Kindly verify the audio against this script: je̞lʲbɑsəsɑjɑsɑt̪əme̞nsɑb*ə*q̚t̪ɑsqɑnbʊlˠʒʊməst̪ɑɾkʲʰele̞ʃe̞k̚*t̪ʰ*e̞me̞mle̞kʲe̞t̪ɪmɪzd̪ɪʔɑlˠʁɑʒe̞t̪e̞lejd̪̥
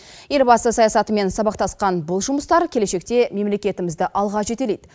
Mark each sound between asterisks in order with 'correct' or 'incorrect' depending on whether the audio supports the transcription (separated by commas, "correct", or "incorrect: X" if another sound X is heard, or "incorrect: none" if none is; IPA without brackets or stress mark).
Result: incorrect: ɑ, incorrect: t̪